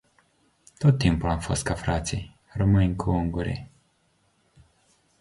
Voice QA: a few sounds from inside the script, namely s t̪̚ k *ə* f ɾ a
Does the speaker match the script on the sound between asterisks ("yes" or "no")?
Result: no